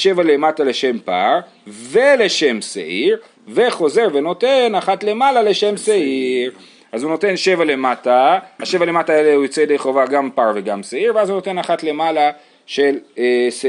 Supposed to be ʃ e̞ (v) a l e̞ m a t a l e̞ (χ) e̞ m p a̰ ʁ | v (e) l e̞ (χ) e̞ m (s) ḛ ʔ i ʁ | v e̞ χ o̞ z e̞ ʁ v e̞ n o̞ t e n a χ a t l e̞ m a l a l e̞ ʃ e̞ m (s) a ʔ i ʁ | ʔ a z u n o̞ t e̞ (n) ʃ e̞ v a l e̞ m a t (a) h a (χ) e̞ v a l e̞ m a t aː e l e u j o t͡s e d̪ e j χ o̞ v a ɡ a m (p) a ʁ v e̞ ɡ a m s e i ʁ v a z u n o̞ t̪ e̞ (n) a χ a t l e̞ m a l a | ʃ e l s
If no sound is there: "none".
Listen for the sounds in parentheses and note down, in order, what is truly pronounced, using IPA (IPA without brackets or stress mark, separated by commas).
v, ʃ, e, ʃ, s, s, n, a, ʃ, p, n